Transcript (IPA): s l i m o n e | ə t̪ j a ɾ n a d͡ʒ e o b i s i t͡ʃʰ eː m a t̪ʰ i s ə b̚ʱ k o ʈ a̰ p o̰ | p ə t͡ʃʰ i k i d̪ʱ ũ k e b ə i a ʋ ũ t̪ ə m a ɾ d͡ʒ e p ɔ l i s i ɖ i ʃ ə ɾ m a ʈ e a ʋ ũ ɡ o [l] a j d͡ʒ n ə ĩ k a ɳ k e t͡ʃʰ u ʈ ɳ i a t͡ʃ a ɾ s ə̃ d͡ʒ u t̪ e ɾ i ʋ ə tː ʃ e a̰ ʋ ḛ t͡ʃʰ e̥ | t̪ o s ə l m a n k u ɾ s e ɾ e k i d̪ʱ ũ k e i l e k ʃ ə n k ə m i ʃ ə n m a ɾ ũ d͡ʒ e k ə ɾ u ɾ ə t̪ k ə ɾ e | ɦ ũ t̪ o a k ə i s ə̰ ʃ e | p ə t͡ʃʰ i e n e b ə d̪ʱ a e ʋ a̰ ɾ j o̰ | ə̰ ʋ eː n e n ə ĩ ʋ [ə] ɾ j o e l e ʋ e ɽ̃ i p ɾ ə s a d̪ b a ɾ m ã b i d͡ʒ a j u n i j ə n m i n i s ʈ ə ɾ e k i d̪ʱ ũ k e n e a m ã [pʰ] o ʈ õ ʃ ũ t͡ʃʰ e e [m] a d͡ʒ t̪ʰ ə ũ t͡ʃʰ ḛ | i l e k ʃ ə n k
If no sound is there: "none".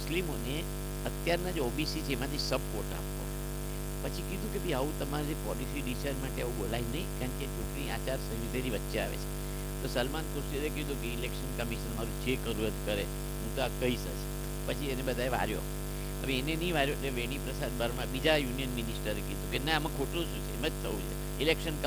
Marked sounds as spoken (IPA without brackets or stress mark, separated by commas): l, a, kʰ, m